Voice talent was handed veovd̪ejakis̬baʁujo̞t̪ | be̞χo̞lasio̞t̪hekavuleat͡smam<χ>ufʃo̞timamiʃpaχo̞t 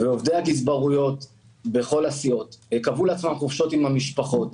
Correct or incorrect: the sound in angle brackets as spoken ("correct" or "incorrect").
correct